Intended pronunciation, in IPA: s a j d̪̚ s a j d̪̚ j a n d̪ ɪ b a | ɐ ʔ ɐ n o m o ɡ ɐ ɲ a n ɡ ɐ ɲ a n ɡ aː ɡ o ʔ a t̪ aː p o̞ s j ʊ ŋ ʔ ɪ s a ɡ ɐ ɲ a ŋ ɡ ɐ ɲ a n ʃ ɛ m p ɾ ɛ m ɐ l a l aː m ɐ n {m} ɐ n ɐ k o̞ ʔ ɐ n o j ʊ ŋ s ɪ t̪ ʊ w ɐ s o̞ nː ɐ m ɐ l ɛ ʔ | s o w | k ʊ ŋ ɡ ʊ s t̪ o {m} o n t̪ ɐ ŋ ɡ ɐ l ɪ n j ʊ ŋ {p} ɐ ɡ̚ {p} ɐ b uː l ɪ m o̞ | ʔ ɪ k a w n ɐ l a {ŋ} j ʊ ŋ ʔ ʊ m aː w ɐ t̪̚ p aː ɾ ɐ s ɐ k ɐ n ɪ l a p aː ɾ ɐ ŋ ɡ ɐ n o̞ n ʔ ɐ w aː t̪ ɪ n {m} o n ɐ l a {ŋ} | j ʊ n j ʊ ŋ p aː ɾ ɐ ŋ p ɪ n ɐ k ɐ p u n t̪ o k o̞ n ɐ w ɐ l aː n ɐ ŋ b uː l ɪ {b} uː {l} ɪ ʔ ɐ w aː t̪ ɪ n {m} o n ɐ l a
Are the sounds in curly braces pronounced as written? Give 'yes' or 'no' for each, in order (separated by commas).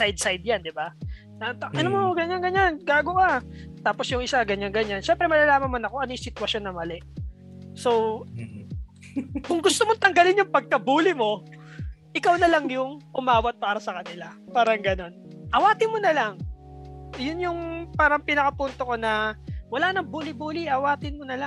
yes, yes, yes, no, yes, yes, yes, yes, yes, yes